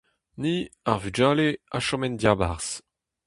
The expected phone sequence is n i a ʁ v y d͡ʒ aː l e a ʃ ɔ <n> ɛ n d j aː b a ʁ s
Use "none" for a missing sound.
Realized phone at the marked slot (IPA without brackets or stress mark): m